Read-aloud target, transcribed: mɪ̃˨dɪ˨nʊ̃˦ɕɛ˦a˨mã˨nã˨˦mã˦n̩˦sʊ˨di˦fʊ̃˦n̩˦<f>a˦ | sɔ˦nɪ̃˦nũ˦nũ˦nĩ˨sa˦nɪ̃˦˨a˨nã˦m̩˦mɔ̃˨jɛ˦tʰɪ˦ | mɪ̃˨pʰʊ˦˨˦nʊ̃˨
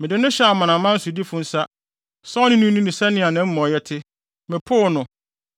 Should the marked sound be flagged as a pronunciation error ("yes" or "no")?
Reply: yes